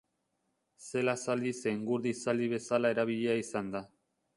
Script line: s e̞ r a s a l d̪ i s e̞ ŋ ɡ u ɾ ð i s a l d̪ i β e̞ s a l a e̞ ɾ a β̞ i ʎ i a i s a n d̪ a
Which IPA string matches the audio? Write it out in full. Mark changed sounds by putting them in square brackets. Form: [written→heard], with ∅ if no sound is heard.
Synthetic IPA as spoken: s e̞ [r→l] a s a l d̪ i s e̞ ŋ ɡ u ɾ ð i s a l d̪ i β e̞ s a l a e̞ ɾ a β̞ i ʎ [i→e] a i s a n d̪ a